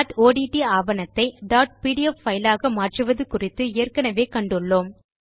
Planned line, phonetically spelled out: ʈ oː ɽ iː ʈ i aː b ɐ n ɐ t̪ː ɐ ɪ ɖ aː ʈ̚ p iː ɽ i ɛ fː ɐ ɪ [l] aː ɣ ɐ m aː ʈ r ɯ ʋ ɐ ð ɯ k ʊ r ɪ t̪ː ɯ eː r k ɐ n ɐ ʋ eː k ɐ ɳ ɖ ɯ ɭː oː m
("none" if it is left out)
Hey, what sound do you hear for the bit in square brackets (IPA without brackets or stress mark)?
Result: l